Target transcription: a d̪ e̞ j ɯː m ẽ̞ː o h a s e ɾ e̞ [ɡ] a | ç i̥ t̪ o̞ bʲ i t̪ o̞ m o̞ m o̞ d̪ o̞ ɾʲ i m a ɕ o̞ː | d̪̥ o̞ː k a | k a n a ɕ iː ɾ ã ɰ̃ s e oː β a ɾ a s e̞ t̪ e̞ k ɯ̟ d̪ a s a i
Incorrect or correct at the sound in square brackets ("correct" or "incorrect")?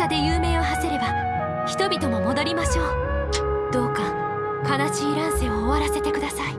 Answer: incorrect